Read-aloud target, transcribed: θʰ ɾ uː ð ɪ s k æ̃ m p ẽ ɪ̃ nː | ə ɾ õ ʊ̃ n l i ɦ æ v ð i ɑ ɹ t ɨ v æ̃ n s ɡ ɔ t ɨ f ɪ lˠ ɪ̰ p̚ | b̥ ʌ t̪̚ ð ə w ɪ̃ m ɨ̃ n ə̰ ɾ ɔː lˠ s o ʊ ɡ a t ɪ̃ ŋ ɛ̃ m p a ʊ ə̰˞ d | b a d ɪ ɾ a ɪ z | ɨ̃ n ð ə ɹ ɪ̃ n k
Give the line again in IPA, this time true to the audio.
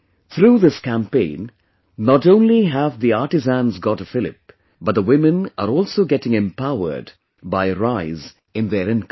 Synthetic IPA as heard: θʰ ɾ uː ð ɪ s k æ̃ m p ẽ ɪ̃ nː | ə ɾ õ ʊ̃ n l i ɦ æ v ð i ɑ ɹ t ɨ z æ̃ n z ɡ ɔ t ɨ f ɪ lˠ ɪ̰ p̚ | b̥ ʌ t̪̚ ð ə w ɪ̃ m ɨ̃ n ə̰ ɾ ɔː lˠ s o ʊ ɡ ɛ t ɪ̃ ŋ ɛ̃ m p a ʊ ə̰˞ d | b a ɪ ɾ a ɪ z | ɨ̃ n ð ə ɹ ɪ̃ n k

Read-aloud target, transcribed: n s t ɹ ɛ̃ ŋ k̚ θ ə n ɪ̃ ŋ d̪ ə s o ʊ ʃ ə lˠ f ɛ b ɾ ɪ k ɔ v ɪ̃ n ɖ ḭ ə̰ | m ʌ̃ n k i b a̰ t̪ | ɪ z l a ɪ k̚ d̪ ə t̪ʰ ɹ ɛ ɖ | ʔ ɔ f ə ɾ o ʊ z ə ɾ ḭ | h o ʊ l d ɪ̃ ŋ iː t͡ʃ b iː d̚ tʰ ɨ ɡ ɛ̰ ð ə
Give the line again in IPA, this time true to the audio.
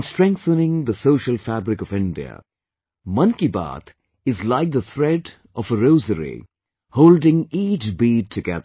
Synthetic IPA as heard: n s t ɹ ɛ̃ ŋ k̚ θ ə n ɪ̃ ŋ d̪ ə s o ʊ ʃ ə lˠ f æ b ɾ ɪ k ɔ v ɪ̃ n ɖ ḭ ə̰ | m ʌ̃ n k i b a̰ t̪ | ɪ z l a ɪ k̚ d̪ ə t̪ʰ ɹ ɛ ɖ | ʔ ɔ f ə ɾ o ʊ z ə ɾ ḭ | h o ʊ l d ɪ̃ ŋ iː t͡ʃ b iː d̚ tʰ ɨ ɡ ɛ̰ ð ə

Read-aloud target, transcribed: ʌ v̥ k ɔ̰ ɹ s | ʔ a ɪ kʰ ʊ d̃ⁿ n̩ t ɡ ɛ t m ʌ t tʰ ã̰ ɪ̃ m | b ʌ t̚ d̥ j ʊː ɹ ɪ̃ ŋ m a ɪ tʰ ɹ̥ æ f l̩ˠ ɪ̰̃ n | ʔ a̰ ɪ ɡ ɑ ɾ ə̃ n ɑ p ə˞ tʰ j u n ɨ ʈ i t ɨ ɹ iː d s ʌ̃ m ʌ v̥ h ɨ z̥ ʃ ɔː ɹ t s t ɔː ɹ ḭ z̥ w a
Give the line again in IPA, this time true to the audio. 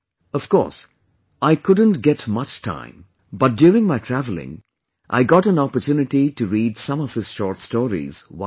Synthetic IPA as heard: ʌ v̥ k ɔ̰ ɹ s | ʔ a ɪ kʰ ʊ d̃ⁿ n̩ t ɡ ɛ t m ʌ t͡ʃ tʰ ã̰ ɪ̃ m | b ʌ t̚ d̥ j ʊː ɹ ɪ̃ ŋ m a ɪ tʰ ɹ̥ æ v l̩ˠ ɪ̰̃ ŋ | ʔ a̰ ɪ ɡ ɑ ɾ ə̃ n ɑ p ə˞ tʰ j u n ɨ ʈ i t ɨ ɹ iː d s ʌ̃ m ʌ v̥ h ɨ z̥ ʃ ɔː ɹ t s t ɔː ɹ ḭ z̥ w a

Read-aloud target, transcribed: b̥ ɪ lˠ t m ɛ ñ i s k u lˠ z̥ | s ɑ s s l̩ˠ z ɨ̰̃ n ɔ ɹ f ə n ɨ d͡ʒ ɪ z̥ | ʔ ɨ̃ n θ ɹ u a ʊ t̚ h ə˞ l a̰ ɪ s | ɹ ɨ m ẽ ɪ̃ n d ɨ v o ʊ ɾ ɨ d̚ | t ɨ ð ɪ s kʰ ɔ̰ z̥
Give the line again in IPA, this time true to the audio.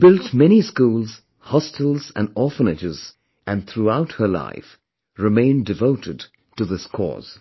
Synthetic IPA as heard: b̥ ɪ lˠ t m ɛ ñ i s k u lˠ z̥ | h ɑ s t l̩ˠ z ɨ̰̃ n ɔ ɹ f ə n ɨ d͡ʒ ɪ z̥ | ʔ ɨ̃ n θ ɹ u a ʊ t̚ h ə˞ l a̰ ɪ f | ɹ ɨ m ẽ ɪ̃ n d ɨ v o ʊ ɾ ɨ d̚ | t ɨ ð ɪ s kʰ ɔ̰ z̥

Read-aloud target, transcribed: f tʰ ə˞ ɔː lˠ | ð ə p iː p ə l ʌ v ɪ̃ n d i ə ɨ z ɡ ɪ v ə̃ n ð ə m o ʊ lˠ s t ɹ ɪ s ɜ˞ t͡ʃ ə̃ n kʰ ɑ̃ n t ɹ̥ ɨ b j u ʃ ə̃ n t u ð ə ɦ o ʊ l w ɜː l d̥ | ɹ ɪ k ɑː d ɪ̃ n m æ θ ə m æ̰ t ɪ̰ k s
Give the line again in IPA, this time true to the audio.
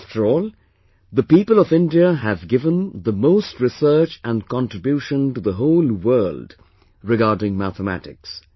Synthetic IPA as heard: f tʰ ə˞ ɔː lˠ | ð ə p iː p ə l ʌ v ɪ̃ n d i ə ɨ v ɡ ɪ v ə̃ n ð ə m o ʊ s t ɹ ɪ s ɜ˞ t͡ʃ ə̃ n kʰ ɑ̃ n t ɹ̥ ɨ b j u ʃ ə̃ n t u ð ə ɦ o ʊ l w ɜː l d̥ | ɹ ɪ ɡ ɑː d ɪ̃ ŋ m æ θ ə m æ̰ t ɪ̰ k s

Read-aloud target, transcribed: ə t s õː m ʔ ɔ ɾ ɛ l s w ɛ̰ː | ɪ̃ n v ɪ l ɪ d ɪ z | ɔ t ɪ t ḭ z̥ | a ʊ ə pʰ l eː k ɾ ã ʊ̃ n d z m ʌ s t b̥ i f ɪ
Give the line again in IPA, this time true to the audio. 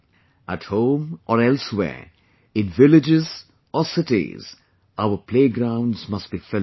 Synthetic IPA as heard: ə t h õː m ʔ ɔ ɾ ɛ l s w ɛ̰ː | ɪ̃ n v ɪ l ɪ d͡ʒ ɪ z | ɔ s ɪ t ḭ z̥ | a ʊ ə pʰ l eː ɡ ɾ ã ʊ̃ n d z m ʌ s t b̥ i f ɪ

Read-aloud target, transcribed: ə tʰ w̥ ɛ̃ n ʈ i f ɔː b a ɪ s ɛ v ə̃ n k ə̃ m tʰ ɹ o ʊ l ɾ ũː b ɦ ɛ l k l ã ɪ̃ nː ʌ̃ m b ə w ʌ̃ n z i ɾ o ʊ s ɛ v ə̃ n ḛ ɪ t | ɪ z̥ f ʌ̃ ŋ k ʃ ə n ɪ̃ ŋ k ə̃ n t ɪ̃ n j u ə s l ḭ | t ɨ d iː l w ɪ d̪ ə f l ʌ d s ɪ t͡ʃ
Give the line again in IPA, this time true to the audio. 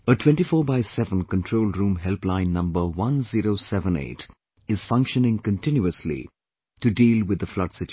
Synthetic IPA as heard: ə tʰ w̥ ɛ̃ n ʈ i f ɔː b a ɪ s ɛ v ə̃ n k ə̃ n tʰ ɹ o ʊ l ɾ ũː m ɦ ɛ l p l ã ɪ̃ nː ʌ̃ m b ə w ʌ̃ n z i ɾ o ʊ s ɛ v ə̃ n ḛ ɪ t | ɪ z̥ f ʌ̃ ŋ k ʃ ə n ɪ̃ ŋ k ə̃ n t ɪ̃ n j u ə s l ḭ | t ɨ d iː l w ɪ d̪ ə f l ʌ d s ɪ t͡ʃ

